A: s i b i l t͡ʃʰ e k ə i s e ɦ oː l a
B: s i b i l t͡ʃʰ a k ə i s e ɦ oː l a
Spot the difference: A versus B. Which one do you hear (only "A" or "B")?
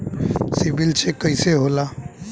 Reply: A